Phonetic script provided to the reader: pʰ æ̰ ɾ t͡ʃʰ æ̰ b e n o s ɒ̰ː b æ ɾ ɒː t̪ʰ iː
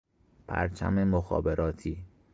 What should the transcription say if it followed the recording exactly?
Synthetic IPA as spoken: pʰ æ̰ ɾ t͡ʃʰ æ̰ m e m o x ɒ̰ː b e ɾ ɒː t̪ʰ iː